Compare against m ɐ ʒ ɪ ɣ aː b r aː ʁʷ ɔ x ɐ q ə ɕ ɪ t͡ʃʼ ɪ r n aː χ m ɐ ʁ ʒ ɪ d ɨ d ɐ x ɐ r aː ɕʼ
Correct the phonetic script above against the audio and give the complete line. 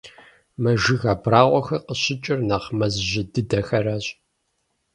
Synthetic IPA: m ɐ ʒ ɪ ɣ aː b r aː ʁʷ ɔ x ɐ q ə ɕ ɪ t͡ʃʼ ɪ r n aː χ m ɐ z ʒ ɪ d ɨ d ɐ x ɐ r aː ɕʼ